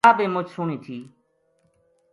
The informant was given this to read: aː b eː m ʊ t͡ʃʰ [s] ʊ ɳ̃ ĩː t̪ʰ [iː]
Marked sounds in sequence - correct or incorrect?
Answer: correct, correct

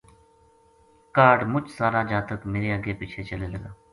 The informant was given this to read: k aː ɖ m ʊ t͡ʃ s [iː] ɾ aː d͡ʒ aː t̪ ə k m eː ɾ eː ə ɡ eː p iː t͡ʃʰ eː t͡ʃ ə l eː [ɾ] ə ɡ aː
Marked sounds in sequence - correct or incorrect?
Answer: incorrect: aː, incorrect: l

